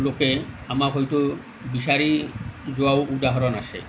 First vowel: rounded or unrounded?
rounded